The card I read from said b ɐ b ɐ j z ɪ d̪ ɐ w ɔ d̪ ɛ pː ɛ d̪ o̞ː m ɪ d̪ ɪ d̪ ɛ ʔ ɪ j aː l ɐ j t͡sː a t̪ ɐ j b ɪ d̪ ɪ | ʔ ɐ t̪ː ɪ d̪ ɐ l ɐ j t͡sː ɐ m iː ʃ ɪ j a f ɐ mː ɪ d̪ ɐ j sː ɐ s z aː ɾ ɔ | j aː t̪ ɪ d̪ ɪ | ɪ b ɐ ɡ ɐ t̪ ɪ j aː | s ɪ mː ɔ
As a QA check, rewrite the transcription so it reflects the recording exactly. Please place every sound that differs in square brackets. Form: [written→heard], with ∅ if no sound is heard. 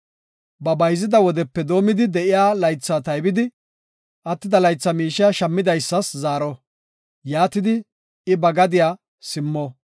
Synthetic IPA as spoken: b ɐ b ɐ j z ɪ d̪ ɐ w ɔ d̪ ɛ pː ɛ d̪ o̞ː m ɪ d̪ ɪ d̪ ɛ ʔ ɪ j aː l ɐ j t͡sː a t̪ ɐ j b ɪ d̪ ɪ | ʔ ɐ t̪ː ɪ d̪ ɐ l ɐ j t͡sː ɐ m iː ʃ ɪ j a [f→ʃ] ɐ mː ɪ d̪ ɐ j sː ɐ s z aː ɾ ɔ | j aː t̪ ɪ d̪ ɪ | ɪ b ɐ ɡ ɐ [t̪→d̪] ɪ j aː | s ɪ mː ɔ